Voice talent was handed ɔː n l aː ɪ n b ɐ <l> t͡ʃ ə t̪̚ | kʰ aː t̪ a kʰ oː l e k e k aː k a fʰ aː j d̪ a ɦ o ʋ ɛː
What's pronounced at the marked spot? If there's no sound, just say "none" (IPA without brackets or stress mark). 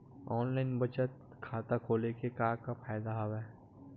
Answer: none